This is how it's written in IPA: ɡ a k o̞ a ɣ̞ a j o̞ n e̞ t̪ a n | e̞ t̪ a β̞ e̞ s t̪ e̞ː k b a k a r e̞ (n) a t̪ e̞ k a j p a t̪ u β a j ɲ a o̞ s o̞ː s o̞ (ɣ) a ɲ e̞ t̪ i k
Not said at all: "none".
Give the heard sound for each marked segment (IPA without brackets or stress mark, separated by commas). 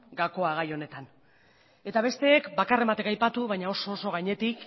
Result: m, ɣ